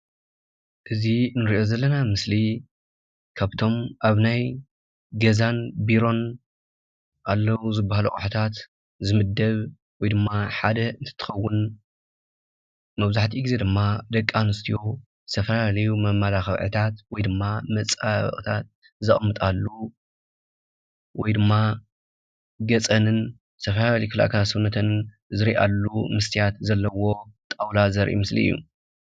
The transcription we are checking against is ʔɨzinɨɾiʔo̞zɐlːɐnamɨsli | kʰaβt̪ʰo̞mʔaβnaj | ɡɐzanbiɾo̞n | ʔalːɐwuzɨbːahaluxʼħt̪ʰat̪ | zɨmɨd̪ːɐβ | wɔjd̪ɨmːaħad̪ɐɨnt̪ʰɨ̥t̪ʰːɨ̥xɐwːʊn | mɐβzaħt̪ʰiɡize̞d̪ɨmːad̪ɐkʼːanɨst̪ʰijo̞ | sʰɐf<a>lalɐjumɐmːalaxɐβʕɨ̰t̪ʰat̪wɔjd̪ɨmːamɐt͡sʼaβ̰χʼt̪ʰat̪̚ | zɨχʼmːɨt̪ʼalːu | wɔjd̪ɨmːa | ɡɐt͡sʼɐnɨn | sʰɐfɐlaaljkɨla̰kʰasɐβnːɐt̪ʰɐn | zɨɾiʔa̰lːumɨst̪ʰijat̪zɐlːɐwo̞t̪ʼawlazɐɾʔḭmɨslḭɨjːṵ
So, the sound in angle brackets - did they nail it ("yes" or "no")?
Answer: no